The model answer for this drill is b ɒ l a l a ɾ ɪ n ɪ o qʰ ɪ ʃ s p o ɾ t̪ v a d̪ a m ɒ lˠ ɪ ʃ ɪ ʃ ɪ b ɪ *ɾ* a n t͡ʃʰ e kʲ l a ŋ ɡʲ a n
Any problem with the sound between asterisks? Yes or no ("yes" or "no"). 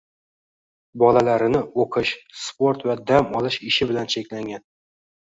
yes